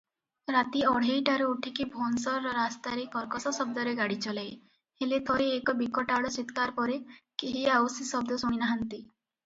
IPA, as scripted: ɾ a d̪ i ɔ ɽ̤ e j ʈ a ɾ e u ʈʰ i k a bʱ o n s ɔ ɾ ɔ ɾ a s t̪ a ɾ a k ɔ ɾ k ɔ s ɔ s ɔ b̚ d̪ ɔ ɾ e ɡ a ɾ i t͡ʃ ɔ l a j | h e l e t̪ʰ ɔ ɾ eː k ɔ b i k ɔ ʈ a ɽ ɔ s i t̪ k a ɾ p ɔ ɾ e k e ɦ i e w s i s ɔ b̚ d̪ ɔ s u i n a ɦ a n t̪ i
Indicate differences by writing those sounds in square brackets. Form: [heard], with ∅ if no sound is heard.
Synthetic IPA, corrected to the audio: ɾ a [t̪] i ɔ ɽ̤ e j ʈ a ɾ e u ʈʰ i k [i] bʱ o n s ɔ ɾ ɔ ɾ a s t̪ a ɾ [e] k ɔ ɾ k ɔ s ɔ s ɔ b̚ d̪ ɔ ɾ e ɡ a [ɽ] i t͡ʃ ɔ l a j | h e l e t̪ʰ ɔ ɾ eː k ɔ b i k ɔ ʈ a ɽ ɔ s i t̪ k a ɾ p ɔ ɾ e k e ɦ i [a] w s i s ɔ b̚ d̪ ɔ s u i n a ɦ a n t̪ i